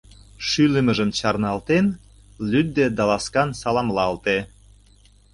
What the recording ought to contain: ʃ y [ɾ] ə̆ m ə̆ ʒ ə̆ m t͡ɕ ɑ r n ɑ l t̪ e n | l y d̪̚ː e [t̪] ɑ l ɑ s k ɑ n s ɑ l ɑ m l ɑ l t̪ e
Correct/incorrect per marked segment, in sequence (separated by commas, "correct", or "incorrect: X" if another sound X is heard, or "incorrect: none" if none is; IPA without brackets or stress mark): incorrect: l, incorrect: d̪